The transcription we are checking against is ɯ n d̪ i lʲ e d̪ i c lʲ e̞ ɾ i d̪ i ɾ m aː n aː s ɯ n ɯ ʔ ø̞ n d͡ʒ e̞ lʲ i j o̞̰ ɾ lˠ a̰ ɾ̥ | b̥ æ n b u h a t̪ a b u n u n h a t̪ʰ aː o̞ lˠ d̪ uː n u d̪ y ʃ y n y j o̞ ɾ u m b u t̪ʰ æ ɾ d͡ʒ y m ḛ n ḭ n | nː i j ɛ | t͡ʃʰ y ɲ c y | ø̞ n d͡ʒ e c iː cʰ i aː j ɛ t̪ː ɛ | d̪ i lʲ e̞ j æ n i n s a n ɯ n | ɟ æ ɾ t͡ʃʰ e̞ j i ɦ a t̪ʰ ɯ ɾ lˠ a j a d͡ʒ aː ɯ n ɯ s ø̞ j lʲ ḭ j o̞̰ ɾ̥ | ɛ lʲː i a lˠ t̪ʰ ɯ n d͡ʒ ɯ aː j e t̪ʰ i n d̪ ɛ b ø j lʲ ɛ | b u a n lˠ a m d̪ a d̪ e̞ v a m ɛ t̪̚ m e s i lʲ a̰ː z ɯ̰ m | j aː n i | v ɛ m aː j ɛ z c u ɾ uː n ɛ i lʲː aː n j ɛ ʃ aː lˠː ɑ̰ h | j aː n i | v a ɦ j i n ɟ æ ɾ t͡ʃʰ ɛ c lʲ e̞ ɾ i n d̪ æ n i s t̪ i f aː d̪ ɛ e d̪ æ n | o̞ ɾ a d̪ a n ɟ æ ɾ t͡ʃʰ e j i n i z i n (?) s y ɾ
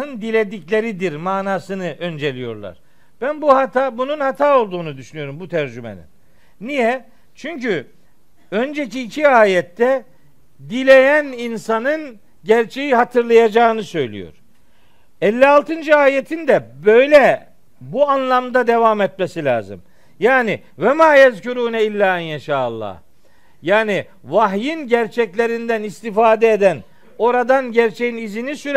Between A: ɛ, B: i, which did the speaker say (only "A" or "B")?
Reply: B